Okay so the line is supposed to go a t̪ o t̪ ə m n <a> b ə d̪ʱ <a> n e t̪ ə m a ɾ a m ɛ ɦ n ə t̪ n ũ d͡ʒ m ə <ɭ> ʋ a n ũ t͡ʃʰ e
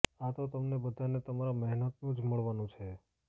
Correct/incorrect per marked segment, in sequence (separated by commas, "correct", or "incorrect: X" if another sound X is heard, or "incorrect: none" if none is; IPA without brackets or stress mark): incorrect: e, correct, correct